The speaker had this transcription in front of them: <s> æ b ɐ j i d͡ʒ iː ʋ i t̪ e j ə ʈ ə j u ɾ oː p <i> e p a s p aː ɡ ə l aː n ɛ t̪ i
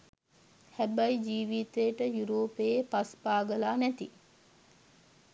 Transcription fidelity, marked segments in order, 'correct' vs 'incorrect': incorrect: h, incorrect: e

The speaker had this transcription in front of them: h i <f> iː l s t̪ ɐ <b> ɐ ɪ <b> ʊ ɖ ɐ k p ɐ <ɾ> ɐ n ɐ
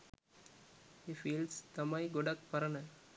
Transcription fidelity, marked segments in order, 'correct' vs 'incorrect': correct, incorrect: m, incorrect: ɡ, correct

